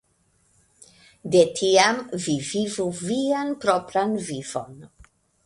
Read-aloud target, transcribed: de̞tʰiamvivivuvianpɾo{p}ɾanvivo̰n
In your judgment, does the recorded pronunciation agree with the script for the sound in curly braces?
yes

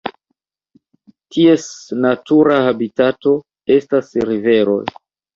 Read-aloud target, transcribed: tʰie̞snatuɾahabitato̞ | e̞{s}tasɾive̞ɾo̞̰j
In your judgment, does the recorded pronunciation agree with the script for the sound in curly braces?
yes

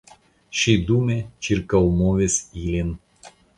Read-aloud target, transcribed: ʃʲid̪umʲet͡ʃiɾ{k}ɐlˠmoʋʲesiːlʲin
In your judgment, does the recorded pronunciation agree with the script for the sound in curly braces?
yes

